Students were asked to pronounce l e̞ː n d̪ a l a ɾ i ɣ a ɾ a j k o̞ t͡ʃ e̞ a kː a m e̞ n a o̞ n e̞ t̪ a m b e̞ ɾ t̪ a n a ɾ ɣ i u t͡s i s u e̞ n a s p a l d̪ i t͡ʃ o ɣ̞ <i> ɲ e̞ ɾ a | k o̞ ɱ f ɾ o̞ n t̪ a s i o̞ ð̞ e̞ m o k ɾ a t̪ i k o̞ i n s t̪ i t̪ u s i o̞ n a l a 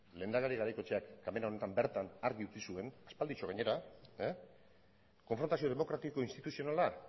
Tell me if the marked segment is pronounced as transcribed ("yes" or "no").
no